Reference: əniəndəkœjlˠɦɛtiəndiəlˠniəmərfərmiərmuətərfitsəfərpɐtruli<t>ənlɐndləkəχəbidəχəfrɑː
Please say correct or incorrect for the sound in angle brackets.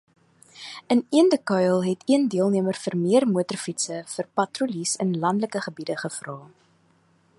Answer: incorrect